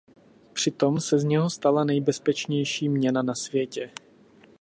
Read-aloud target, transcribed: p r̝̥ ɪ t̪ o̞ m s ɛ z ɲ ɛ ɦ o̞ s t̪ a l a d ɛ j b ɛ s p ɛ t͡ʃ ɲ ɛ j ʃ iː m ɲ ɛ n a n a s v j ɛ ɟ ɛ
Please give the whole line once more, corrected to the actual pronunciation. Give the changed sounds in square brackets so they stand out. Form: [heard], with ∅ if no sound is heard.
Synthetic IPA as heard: p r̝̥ ɪ t̪ o̞ m s ɛ z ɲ ɛ ɦ o̞ s t̪ a l a [n] ɛ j b ɛ s p ɛ t͡ʃ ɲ ɛ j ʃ iː m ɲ ɛ n a n a s v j ɛ [c] ɛ